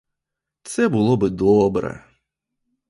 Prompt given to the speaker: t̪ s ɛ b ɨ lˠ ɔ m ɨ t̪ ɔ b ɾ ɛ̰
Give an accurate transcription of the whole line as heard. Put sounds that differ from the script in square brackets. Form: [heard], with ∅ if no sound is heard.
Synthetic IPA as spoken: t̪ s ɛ b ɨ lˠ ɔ [b] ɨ [d̪] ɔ b ɾ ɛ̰